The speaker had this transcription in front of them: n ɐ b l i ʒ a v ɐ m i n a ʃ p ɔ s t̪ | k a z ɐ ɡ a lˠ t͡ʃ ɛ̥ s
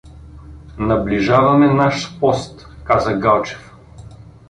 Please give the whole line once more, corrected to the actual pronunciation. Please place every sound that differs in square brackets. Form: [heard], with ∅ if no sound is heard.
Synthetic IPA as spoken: n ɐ b l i ʒ a v ɐ m [ɛ] n a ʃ p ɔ s t̪ | k a z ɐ ɡ a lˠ t͡ʃ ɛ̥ [f]